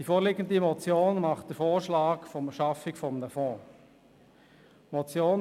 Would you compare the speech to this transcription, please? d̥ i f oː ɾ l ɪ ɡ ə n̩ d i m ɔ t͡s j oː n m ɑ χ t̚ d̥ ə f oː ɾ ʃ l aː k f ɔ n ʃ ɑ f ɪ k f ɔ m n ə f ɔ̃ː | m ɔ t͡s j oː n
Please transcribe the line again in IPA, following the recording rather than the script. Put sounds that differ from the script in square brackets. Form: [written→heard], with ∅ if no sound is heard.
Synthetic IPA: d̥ i f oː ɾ l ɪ ɡ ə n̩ d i m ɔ t͡s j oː n m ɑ χ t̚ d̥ ə f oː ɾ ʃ l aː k f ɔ [n→m] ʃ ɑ f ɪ k f ɔ m n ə f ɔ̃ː | m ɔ t͡s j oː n